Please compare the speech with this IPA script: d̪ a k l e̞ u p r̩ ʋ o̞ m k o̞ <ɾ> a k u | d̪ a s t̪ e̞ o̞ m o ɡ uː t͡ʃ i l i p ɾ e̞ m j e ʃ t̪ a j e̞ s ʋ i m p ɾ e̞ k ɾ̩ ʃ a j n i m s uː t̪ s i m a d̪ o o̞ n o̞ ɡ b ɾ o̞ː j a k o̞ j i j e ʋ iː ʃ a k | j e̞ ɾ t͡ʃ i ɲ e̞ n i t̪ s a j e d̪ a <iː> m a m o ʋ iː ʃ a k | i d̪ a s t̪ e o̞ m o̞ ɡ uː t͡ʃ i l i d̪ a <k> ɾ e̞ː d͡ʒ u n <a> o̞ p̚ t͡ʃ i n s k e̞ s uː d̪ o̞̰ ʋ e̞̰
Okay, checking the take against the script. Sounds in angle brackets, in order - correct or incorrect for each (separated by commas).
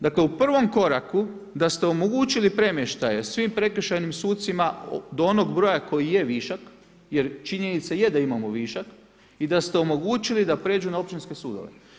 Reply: correct, incorrect, incorrect, correct